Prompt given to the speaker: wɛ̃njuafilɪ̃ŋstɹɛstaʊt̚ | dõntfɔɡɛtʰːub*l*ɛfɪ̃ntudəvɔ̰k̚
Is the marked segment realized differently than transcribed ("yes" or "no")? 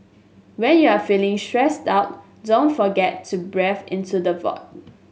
yes